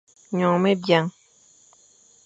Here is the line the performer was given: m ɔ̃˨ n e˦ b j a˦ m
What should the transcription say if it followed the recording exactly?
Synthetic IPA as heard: ɲ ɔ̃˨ m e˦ b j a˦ ŋ

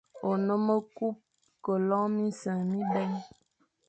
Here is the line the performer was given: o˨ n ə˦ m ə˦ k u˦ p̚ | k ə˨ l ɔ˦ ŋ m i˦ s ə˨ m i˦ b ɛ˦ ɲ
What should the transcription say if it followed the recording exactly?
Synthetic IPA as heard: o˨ n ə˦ m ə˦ k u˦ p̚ | k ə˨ l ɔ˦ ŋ m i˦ s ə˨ m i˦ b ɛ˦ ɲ

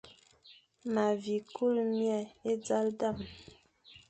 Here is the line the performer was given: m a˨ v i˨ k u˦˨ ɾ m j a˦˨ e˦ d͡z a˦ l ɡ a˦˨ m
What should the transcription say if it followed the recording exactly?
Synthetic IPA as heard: m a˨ v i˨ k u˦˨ l m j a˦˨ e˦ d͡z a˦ l d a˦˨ m

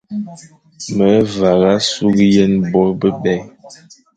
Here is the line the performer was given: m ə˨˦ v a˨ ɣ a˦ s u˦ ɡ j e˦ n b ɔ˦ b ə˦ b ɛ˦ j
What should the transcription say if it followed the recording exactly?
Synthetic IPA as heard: m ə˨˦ v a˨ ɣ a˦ s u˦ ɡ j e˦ n b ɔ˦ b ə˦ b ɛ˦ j

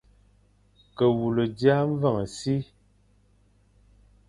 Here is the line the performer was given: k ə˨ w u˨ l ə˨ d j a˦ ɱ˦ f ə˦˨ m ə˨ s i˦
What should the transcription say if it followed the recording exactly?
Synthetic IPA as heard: k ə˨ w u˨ l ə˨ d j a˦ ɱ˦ v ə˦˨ ŋ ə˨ s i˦

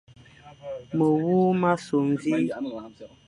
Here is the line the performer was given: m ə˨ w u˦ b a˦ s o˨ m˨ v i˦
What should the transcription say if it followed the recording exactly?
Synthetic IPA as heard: m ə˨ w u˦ m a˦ s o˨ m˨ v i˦

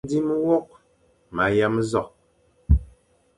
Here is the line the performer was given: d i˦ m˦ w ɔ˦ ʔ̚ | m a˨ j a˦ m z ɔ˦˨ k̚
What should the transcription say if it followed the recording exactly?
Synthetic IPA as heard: d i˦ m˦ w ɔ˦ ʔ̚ | m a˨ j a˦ m z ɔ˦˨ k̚

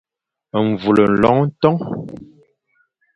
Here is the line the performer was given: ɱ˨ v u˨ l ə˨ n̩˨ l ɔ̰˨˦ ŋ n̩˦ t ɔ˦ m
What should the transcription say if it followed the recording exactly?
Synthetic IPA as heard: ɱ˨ v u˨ l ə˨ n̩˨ l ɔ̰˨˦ ŋ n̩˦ t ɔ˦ ŋ

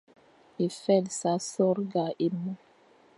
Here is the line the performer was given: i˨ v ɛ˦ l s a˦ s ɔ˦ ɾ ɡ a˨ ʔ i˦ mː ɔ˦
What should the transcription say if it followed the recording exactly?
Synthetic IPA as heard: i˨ f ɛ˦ l s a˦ s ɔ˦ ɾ ɡ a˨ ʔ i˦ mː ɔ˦

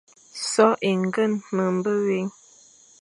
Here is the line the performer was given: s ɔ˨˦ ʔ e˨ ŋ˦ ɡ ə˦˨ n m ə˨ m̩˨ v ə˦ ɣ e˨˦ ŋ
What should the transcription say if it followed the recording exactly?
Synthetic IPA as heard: s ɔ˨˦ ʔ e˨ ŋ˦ ɡ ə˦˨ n m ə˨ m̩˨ b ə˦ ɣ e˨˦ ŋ

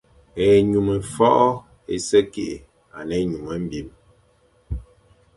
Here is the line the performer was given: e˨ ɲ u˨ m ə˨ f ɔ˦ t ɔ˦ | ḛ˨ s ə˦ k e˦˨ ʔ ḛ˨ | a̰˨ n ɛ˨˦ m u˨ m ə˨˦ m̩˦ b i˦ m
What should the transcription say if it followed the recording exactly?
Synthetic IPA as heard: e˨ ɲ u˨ m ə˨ f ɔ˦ ʔ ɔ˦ | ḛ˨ s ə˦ k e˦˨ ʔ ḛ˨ | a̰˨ n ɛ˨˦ ɲ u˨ m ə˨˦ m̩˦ b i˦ m

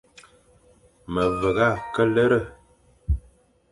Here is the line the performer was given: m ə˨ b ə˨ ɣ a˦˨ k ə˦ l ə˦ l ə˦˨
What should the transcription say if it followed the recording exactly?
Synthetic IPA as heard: m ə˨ v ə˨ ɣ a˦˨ k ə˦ l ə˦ ɾ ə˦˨

